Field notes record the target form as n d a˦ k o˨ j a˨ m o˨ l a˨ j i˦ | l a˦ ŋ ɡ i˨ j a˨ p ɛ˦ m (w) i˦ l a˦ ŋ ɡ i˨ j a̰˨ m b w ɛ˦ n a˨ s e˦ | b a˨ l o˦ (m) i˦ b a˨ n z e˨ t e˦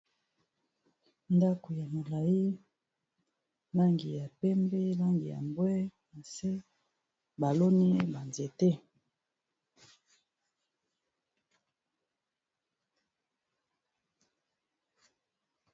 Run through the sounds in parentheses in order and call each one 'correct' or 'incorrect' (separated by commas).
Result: incorrect, incorrect